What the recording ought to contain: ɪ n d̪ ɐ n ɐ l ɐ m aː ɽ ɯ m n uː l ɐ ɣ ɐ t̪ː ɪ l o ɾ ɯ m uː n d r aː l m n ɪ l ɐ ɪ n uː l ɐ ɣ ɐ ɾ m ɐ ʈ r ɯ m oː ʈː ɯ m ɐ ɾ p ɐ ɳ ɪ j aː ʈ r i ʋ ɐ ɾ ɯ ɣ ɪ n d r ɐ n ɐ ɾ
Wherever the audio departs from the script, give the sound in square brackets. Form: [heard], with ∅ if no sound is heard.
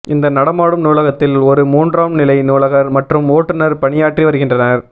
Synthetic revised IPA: ɪ n d̪ ɐ n ɐ [ɽ] ɐ m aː ɽ ɯ m n uː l ɐ ɣ ɐ t̪ː ɪ l [ɔ] ɾ ɯ m uː n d r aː [∅] m n ɪ l ɐ ɪ n uː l ɐ ɣ ɐ ɾ m ɐ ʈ r ɯ m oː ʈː ɯ [n] ɐ ɾ p ɐ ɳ ɪ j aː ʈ r i ʋ ɐ ɾ ɯ ɣ ɪ n d r ɐ n ɐ ɾ